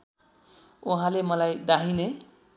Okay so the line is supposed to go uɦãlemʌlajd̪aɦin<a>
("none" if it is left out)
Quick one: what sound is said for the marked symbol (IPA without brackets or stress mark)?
e